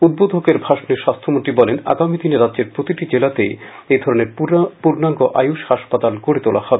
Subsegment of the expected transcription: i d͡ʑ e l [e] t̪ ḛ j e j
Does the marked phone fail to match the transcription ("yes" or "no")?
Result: yes